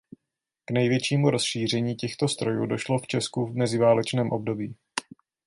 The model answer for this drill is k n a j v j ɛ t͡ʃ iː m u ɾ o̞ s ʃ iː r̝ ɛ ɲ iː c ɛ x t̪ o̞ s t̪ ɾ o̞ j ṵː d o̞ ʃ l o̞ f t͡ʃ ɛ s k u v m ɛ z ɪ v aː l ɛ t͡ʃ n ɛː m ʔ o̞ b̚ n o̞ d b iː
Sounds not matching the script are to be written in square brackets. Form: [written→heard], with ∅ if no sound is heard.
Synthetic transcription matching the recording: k n [a→ɛ] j v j ɛ t͡ʃ iː m u ɾ o̞ s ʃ iː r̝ ɛ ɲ iː c ɛ x t̪ o̞ s t̪ ɾ o̞ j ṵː d o̞ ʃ l o̞ f t͡ʃ ɛ s k u v m ɛ z ɪ v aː l ɛ t͡ʃ n ɛː m ʔ o̞ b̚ [n→d] o̞ [d→∅] b iː